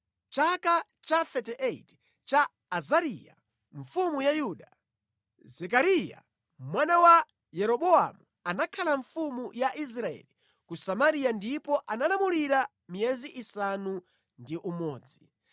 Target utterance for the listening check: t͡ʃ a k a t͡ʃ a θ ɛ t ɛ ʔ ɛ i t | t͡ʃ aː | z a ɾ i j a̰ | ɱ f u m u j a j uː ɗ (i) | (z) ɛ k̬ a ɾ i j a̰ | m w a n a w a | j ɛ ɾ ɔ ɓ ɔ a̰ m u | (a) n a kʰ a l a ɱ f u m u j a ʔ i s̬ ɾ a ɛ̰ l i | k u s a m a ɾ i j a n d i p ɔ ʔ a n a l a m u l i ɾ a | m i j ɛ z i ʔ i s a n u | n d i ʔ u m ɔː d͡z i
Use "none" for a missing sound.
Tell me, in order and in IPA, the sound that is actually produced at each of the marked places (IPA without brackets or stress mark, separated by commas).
a, z, a